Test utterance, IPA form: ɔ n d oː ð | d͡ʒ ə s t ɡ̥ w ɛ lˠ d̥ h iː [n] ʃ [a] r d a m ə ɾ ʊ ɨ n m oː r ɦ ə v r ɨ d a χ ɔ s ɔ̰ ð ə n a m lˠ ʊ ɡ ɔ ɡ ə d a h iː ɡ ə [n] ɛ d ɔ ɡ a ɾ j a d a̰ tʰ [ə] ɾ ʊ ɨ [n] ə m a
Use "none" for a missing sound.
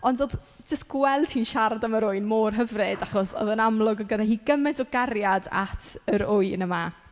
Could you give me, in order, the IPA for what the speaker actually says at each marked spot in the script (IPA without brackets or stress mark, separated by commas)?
n, a, m, ə, n